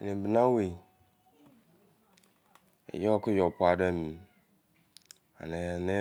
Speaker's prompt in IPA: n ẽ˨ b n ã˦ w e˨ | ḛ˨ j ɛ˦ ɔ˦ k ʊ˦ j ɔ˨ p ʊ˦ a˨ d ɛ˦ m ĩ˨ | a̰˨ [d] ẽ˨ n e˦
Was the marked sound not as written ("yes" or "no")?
yes